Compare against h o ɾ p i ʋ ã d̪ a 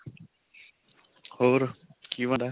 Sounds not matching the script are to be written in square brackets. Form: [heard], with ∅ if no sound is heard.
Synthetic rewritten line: h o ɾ [k] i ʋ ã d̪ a